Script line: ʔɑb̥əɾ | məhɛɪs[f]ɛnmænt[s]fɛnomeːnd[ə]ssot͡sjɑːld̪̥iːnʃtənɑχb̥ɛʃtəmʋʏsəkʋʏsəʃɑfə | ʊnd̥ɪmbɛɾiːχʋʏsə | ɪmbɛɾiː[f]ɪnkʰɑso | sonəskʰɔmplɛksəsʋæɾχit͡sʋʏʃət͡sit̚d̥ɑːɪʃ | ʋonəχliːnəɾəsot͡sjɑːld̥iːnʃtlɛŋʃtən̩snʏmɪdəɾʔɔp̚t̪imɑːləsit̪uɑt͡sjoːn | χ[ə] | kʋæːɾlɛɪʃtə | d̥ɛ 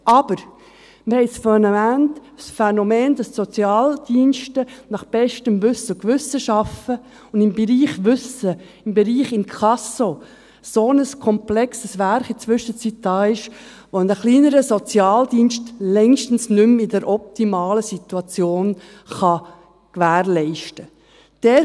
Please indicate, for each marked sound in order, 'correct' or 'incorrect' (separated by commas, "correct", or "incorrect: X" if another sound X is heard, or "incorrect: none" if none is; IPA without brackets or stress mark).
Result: correct, correct, incorrect: ɑ, incorrect: χ, incorrect: ɑ